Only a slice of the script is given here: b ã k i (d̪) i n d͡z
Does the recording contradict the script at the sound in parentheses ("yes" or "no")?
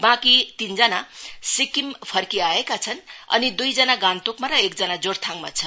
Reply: yes